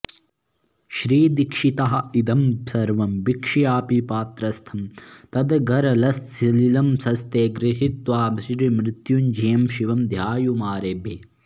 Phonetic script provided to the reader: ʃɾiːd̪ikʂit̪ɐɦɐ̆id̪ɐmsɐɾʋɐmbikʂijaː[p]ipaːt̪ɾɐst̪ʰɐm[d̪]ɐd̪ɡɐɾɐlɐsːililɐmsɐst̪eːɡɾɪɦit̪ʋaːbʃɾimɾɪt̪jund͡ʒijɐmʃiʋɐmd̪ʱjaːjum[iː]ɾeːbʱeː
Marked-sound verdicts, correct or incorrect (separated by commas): correct, incorrect, incorrect